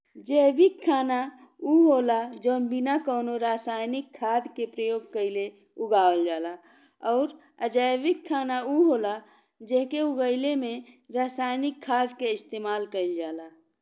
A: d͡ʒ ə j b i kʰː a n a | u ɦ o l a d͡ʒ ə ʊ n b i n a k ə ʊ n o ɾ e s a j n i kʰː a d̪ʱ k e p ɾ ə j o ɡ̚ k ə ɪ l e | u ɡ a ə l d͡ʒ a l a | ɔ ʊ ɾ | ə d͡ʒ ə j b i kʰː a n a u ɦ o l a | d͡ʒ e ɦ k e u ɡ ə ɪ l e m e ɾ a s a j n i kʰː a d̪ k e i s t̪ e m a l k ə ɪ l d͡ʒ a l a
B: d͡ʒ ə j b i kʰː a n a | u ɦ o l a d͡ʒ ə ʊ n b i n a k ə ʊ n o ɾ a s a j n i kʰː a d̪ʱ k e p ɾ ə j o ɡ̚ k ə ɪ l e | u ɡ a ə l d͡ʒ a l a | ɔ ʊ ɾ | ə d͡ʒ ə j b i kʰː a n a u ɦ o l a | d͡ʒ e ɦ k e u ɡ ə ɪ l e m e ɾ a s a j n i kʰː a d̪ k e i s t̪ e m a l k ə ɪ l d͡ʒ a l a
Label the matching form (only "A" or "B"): B